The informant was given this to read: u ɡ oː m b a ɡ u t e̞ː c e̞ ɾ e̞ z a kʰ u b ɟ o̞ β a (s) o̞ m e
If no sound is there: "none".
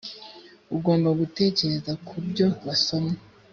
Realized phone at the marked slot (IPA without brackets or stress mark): s